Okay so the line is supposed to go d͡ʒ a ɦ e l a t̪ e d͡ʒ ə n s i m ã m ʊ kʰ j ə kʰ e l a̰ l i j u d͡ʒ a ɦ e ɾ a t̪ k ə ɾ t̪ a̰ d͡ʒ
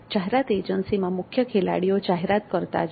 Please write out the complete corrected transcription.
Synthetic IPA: d͡ʒ a ɦ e ɾ a t̪ e d͡ʒ ə n s i m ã m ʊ kʰ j ə kʰ e l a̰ ɽ i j o d͡ʒ a ɦ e ɾ a t̪ k ə ɾ t̪ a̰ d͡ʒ